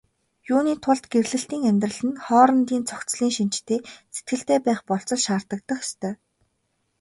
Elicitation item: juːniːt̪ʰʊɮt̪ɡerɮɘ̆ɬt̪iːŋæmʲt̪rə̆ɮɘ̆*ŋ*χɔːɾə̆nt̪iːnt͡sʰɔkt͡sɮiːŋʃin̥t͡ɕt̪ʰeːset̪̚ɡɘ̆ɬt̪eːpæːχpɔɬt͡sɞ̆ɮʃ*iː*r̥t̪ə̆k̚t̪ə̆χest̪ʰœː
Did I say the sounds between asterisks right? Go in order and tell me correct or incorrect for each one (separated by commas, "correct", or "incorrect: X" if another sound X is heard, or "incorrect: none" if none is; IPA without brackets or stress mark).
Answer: incorrect: n, incorrect: aː